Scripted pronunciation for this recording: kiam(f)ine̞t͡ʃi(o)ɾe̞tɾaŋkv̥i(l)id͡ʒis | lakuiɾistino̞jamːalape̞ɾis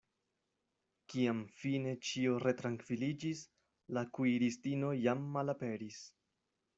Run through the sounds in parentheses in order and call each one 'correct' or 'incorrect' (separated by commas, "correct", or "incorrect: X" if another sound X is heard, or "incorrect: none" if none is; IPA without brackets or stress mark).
correct, correct, correct